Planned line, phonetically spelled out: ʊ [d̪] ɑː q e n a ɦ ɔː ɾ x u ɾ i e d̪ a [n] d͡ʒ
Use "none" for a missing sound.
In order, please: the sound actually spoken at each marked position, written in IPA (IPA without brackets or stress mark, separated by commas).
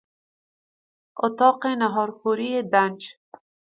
t̪, n